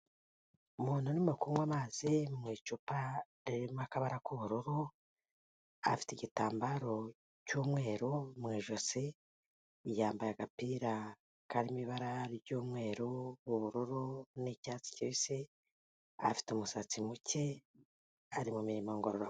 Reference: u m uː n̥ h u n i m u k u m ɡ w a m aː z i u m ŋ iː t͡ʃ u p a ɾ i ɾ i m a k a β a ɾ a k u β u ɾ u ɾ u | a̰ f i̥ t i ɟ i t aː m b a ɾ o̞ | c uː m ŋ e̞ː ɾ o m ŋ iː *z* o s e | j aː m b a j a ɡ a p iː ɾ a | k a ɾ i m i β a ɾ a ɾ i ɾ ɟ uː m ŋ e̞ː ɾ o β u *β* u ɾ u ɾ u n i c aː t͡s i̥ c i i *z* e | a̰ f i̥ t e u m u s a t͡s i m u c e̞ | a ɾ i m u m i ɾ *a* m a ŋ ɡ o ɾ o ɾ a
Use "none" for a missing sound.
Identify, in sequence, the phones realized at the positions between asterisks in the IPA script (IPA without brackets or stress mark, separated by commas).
ʒ, β, s, i